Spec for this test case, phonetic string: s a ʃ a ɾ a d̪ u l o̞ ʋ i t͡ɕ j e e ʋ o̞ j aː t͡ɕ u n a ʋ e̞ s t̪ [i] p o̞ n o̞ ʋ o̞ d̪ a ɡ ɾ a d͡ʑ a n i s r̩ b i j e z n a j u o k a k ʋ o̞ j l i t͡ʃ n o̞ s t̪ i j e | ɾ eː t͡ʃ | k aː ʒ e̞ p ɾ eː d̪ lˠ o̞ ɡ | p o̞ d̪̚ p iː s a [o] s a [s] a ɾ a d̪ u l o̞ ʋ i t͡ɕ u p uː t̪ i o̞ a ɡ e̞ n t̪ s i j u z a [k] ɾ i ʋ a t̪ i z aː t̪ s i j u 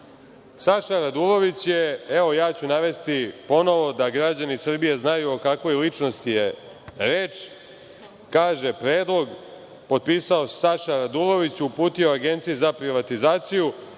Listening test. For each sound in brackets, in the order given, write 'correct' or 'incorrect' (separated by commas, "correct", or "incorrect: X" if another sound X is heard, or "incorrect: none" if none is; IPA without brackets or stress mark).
correct, correct, incorrect: ʃ, incorrect: p